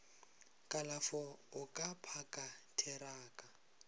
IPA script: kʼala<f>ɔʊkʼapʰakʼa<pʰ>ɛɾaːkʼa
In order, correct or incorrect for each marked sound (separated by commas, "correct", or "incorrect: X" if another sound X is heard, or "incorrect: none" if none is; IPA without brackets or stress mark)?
correct, incorrect: tʰ